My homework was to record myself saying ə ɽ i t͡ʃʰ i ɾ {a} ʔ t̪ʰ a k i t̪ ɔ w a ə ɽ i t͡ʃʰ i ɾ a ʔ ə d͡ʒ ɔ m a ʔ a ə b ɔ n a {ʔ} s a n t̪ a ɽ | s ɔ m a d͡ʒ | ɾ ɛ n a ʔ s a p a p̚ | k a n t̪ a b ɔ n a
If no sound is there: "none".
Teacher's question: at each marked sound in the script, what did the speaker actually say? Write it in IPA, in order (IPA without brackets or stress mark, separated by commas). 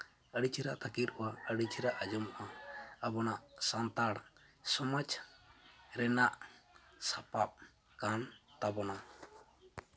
a, ʔ